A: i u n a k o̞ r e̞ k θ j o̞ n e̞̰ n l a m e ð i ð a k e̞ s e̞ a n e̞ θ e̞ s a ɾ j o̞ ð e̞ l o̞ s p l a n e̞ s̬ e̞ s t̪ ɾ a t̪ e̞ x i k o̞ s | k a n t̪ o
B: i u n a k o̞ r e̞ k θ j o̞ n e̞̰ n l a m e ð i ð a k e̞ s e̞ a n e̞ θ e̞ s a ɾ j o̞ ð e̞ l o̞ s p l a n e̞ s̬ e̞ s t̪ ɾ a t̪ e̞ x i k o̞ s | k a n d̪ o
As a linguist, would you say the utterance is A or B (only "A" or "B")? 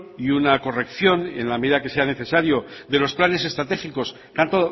A